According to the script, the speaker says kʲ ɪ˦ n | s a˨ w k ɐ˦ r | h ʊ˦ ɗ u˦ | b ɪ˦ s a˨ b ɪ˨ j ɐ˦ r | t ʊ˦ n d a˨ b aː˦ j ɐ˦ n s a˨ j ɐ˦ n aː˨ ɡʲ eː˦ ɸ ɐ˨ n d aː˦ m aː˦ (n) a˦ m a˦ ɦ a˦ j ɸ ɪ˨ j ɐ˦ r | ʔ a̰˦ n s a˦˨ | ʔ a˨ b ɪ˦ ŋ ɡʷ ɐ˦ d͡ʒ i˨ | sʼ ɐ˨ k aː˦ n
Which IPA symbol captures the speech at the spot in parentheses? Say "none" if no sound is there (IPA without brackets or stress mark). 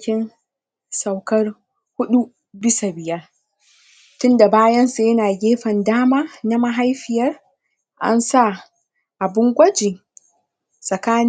n